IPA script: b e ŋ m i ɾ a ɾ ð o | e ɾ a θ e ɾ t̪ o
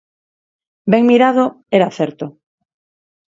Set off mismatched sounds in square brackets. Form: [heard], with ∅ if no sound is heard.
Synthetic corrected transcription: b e ŋ m i ɾ a [∅] ð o | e ɾ a θ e ɾ t̪ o